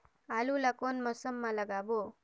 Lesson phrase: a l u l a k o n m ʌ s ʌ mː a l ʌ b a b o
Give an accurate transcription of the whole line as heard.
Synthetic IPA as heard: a l u l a k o n m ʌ s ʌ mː a l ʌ ɡ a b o